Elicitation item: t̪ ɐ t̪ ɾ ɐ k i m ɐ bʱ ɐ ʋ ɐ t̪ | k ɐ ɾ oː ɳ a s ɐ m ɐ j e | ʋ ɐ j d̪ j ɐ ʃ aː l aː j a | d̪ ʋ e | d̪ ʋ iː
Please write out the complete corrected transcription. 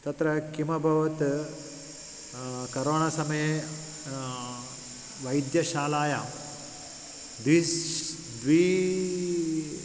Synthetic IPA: t̪ ɐ t̪ ɾ ɐ k i m ɐ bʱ ɐ ʋ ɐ t̪ | k ɐ ɾ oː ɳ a s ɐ m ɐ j e | ʋ ɐ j d̪ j ɐ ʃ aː l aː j a | d̪ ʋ i | d̪ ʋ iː